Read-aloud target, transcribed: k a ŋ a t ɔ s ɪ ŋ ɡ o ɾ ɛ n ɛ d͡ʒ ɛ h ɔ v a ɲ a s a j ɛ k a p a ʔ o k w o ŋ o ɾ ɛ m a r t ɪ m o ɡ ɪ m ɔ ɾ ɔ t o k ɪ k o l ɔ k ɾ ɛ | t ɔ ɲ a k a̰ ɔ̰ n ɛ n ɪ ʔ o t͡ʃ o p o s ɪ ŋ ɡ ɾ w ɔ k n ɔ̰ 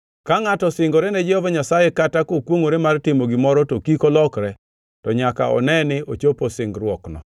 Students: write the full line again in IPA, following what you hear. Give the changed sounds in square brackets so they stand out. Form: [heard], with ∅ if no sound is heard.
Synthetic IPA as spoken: k a ŋ a t ɔ s ɪ ŋ ɡ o ɾ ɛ n ɛ d͡ʒ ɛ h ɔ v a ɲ a s a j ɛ k a [t] a [k] o k w o ŋ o ɾ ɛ m a r t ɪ m o ɡ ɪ m ɔ ɾ ɔ t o k [i] k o l ɔ k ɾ ɛ | t ɔ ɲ a k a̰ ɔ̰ n ɛ n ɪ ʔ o t͡ʃ o p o s ɪ ŋ ɡ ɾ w ɔ k n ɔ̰